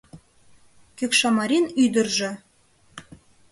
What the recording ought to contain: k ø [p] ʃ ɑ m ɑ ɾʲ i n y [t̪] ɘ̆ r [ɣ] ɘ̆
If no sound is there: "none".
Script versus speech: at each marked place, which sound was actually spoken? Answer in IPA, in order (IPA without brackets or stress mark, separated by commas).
k, d̪, ʒ